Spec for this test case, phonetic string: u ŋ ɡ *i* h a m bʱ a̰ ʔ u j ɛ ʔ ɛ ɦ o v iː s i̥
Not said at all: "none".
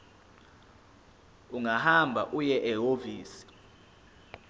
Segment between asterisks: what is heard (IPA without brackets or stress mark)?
a